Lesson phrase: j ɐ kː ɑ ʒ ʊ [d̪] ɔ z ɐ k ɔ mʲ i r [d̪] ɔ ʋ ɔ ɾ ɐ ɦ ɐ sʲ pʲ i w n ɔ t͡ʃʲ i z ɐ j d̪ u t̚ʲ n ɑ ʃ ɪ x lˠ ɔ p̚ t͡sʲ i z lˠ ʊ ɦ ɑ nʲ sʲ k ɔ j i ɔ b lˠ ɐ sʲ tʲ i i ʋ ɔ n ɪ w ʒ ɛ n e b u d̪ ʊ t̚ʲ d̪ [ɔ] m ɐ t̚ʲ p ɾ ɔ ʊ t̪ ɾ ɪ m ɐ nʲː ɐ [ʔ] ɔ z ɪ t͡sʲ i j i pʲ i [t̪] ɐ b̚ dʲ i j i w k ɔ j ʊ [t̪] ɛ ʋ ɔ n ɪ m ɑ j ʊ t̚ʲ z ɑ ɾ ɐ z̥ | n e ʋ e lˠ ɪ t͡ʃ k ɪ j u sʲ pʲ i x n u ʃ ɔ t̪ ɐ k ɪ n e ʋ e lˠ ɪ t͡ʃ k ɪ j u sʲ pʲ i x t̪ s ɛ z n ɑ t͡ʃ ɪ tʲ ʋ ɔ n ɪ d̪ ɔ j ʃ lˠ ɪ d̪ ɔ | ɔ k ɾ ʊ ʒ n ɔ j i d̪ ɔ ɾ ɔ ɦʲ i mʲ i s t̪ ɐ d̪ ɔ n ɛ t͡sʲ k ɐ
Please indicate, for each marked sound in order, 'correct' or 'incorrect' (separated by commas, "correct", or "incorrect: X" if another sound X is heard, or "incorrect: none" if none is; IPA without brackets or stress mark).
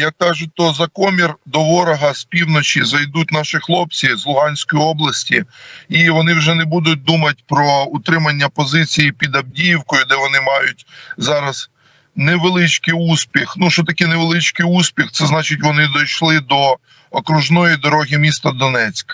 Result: incorrect: t̪, correct, incorrect: u, incorrect: p, incorrect: d̪, incorrect: d̪